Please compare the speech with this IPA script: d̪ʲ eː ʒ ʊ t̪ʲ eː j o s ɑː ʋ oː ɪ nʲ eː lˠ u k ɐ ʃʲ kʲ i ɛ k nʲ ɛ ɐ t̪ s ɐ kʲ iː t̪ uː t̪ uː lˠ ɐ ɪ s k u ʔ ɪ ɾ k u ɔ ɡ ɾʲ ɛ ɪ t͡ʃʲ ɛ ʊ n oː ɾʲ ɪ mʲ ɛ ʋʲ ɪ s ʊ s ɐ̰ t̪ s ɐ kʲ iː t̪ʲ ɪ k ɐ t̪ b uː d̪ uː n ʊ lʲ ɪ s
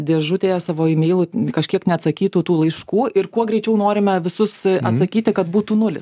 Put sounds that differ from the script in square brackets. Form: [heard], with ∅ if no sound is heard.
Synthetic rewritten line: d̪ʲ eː ʒ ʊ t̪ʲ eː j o s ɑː ʋ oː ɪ [mʲ] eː lˠ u k ɐ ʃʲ kʲ i ɛ k nʲ ɛ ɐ t̪ s ɐ kʲ iː t̪ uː t̪ uː lˠ ɐ ɪ [ʃ] k [uː] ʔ ɪ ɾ k u ɔ ɡ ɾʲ ɛ ɪ t͡ʃʲ ɛ ʊ n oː ɾʲ ɪ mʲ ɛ ʋʲ ɪ s ʊ s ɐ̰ t̪ s ɐ kʲ iː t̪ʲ ɪ k ɐ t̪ b uː [t̪] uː n ʊ lʲ ɪ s